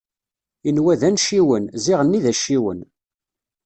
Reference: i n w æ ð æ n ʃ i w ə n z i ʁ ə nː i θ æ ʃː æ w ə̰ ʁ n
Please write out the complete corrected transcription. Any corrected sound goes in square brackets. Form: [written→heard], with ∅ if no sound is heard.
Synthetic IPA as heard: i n w æ ð æ n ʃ i w ə n z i ʁ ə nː i [θ→ð] æ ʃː [æ→i] w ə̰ [ʁ→∅] n